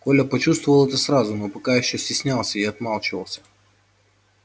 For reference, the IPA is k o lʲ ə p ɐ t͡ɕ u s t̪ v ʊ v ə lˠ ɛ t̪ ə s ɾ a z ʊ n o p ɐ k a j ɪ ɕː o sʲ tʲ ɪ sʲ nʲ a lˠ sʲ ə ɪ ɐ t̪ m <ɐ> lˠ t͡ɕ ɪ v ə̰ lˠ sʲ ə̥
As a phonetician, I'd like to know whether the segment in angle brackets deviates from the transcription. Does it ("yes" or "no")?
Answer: yes